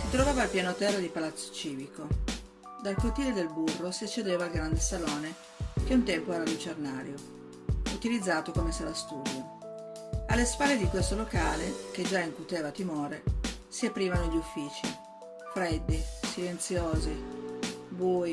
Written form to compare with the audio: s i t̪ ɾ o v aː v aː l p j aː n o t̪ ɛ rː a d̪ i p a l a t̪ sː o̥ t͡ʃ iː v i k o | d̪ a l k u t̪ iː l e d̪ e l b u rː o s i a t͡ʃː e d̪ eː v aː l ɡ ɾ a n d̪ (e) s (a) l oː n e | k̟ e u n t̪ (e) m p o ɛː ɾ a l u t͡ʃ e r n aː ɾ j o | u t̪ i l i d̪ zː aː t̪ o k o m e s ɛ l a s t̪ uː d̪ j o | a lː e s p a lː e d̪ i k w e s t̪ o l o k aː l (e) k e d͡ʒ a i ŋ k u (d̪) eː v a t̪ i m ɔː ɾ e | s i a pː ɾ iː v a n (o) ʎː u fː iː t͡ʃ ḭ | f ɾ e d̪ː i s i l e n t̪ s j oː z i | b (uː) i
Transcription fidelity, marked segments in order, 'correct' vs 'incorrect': correct, correct, incorrect: ɛ, correct, incorrect: t̪, correct, correct

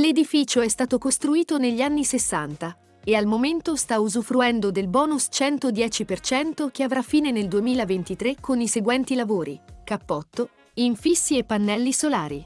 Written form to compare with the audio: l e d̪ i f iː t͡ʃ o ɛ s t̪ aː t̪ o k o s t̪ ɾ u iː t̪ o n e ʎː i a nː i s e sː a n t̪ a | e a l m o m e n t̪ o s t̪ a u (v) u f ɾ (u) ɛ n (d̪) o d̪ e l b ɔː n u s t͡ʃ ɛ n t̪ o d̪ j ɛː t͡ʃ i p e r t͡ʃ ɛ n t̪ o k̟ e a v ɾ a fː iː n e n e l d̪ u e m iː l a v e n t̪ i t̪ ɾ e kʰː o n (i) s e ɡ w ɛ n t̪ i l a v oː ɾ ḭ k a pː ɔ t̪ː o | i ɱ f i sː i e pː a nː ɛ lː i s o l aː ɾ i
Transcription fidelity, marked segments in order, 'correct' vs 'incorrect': incorrect: z, correct, correct, correct

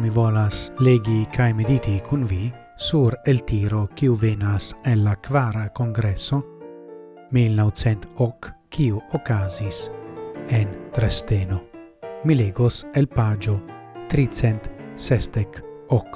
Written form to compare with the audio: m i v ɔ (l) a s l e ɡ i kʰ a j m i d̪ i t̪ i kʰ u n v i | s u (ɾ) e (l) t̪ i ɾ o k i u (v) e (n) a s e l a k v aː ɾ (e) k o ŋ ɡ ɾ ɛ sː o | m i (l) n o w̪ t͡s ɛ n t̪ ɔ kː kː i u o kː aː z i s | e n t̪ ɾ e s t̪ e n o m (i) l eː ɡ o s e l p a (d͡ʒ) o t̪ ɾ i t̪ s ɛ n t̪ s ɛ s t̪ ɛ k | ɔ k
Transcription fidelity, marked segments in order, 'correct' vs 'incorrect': correct, correct, correct, correct, correct, incorrect: a, correct, correct, correct

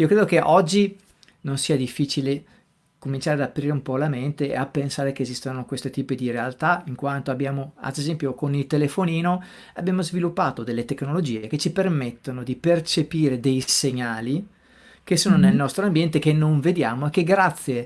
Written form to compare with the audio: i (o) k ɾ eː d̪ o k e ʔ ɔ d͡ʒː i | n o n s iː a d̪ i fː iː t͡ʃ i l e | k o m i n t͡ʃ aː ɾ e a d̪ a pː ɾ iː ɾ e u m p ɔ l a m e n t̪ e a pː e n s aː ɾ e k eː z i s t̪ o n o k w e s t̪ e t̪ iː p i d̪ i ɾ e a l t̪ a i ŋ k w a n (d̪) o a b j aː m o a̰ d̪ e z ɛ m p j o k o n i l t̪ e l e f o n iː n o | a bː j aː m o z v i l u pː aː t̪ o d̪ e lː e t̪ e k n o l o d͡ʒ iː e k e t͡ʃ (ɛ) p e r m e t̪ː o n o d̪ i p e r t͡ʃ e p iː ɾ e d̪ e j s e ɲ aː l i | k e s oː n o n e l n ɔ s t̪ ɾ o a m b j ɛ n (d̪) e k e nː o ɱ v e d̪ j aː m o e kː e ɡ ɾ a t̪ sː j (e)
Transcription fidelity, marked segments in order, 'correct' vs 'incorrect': correct, incorrect: t̪, incorrect: i, incorrect: t̪, correct

